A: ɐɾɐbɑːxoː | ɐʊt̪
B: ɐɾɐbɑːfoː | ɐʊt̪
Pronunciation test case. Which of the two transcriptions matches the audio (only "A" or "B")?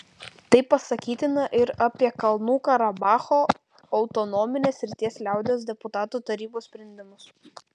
A